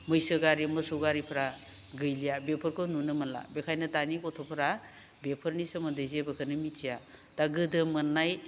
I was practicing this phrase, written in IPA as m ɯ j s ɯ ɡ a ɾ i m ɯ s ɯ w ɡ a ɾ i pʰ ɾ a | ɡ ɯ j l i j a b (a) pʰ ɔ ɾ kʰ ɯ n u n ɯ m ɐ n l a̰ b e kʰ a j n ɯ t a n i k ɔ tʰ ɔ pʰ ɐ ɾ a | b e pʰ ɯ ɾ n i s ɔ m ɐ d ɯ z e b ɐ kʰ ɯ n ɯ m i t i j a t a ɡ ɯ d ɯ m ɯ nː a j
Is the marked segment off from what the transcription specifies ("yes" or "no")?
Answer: yes